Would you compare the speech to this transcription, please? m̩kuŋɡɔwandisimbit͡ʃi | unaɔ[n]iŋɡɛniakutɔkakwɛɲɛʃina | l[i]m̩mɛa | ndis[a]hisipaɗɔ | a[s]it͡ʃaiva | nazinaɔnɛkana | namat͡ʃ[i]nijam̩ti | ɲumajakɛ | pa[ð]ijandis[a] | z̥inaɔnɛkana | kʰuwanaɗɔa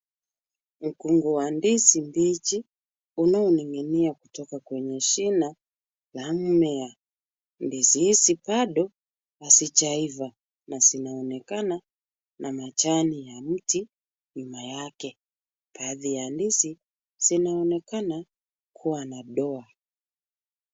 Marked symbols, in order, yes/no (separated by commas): yes, no, no, yes, no, yes, no